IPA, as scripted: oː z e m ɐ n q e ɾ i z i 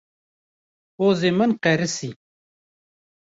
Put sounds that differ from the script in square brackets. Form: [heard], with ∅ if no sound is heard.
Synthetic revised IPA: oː z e m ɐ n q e ɾ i [s] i